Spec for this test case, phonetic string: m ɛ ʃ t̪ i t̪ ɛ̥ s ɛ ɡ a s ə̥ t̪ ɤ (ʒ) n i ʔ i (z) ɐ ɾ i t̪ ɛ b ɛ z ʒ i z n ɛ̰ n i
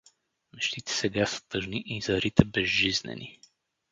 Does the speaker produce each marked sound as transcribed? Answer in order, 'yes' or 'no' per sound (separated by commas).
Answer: yes, yes